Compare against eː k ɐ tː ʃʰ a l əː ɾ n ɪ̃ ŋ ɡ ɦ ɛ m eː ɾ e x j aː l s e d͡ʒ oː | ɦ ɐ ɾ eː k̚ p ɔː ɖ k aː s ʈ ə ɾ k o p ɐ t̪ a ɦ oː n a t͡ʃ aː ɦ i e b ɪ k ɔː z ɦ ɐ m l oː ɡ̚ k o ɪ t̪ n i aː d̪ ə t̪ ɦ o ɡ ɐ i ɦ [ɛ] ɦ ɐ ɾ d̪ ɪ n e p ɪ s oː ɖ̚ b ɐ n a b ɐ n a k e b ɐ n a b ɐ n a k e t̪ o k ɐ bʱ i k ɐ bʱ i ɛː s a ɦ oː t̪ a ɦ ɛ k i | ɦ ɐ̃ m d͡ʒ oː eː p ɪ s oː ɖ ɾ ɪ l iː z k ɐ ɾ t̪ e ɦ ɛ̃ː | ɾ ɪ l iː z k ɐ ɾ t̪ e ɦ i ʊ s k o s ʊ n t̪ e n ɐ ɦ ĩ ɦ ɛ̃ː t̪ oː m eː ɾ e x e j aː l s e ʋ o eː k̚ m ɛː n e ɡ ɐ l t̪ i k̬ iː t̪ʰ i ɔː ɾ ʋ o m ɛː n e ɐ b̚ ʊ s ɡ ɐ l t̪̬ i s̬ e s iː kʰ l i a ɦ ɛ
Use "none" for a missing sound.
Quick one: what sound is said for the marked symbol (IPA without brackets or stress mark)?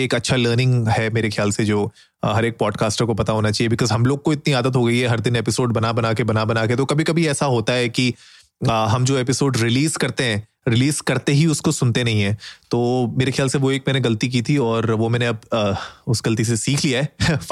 ɛ